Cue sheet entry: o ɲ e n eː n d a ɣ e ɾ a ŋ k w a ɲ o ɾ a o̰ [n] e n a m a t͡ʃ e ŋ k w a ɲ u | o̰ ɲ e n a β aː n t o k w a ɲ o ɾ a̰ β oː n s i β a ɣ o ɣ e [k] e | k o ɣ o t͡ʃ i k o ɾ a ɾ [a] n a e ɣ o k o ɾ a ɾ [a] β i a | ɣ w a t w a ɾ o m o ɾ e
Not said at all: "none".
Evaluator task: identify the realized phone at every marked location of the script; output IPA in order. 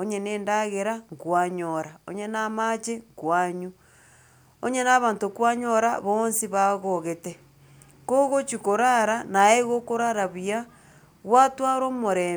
ɲ, t, a, a

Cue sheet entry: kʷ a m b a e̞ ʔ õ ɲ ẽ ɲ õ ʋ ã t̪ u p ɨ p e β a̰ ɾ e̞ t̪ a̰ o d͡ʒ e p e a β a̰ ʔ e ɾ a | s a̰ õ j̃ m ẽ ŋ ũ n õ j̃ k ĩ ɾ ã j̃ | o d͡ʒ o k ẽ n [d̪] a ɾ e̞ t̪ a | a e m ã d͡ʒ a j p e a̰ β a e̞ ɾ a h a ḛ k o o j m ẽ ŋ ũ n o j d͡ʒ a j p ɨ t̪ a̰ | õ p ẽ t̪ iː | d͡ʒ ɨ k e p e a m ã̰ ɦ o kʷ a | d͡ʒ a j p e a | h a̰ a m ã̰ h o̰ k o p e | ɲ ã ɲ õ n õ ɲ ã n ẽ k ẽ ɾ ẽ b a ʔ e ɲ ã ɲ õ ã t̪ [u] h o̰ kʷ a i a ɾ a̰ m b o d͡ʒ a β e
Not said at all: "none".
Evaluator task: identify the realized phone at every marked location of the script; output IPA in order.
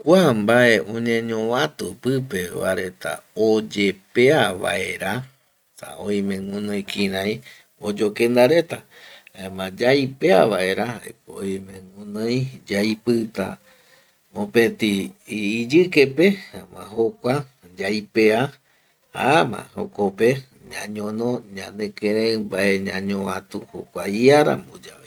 d̪, u

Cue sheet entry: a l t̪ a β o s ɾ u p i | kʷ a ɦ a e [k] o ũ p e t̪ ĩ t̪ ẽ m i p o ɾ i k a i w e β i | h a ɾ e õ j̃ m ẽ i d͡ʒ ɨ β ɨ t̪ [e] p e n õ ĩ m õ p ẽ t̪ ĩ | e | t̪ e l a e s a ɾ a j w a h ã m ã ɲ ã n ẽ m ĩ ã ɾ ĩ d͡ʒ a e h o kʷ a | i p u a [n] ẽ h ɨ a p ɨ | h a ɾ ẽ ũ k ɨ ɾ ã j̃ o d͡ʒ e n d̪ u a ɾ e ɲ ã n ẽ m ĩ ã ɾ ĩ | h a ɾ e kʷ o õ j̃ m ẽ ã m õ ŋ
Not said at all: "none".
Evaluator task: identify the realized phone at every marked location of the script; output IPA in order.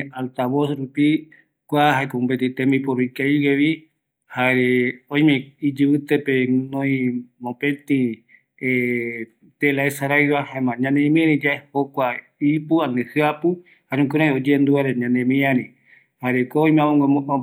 k, e, n

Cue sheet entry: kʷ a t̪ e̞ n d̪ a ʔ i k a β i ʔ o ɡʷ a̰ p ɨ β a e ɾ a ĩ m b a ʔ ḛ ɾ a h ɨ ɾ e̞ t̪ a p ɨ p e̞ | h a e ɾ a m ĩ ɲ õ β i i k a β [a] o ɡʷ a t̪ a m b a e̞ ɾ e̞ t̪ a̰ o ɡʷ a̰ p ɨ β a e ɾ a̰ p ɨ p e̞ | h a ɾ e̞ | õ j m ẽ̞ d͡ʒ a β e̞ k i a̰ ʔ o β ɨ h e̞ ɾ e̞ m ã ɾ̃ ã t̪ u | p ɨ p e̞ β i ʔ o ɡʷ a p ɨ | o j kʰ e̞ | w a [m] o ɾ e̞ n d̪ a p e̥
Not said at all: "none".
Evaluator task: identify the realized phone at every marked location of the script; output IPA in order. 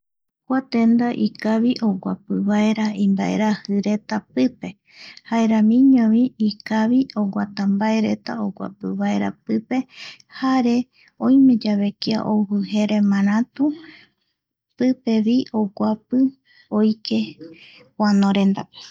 i, n

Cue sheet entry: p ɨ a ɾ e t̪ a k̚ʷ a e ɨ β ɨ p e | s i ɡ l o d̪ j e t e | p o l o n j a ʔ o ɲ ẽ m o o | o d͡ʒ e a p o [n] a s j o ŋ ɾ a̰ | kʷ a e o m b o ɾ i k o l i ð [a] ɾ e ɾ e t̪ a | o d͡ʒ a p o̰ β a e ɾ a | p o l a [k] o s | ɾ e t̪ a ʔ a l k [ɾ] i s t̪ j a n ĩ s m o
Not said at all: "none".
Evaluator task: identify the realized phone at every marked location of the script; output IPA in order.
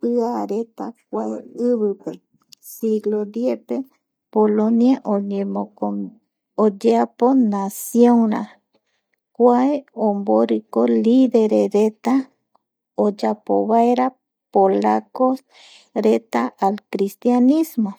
n, e, k, ɾ

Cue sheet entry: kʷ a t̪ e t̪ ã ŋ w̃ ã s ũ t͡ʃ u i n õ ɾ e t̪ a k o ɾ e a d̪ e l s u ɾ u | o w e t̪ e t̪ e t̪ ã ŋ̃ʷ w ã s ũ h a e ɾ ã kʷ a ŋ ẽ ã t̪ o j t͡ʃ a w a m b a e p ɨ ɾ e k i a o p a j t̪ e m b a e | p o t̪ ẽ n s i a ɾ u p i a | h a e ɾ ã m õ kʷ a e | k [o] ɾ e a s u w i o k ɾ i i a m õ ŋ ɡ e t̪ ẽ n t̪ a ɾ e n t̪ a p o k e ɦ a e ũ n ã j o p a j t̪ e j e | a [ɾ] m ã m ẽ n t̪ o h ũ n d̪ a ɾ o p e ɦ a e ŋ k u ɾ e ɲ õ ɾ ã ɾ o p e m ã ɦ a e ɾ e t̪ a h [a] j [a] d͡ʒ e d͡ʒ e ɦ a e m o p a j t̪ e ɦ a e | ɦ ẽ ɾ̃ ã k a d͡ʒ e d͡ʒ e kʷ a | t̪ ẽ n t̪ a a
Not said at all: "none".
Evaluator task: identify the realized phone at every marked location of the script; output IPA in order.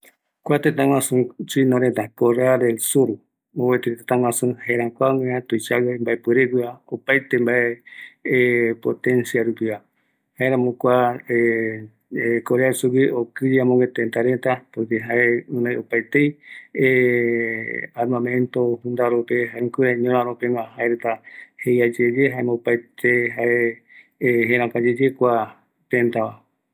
o, ɾ, e, a

